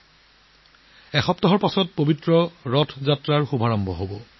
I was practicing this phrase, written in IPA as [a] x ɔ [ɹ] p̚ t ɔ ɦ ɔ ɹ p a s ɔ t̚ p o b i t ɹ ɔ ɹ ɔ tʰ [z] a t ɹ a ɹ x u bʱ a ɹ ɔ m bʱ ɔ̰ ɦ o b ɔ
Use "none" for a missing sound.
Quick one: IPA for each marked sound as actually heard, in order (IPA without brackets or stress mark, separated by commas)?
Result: ɛ, none, z